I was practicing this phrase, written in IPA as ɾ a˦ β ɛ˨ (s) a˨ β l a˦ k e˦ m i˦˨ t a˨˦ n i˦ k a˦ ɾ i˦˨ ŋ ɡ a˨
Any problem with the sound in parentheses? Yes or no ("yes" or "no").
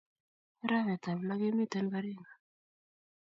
yes